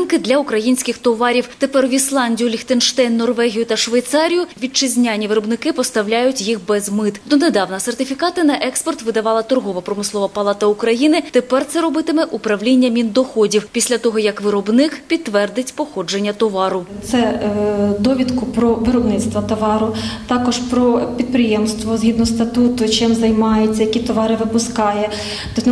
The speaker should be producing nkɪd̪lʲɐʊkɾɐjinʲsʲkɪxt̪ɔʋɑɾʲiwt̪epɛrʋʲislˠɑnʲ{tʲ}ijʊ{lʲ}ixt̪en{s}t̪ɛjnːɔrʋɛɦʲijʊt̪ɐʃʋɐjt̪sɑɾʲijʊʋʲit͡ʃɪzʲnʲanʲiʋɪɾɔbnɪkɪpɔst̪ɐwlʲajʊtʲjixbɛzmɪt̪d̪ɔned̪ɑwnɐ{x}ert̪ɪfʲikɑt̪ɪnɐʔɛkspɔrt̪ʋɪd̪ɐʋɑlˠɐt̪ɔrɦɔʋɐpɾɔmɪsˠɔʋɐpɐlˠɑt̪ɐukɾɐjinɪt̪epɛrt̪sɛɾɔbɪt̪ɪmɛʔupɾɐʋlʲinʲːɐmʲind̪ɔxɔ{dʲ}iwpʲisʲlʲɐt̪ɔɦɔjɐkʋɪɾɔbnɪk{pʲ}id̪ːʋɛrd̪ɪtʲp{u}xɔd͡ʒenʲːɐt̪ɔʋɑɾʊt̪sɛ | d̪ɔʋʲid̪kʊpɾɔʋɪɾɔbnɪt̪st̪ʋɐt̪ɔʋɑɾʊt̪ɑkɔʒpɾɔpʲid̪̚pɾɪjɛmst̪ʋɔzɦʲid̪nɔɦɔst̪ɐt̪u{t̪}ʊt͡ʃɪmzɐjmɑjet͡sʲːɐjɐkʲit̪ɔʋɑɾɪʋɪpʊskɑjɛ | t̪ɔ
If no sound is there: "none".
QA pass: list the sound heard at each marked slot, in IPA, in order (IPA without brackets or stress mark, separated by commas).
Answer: dʲ, lʲ, ʃ, s, dʲ, pʲ, ɔ, t̪